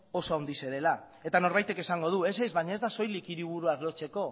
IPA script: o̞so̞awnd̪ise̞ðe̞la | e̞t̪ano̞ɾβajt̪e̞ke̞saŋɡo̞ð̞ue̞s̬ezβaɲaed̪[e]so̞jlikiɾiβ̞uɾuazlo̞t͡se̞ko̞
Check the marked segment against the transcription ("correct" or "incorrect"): incorrect